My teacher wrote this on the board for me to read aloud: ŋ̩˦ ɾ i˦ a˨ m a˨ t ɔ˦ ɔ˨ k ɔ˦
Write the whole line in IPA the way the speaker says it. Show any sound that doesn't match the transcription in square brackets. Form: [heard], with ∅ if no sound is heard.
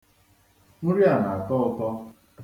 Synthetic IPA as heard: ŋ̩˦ ɾ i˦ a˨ [n] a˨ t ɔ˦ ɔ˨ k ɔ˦